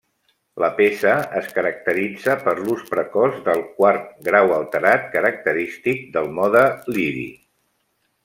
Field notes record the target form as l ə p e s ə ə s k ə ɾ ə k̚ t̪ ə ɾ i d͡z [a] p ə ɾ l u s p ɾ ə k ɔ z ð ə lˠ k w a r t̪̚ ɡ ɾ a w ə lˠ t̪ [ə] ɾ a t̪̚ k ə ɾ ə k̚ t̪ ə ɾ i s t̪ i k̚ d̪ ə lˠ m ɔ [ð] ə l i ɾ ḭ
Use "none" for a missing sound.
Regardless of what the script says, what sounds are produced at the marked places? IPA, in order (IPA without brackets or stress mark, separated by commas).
ə, ə, ð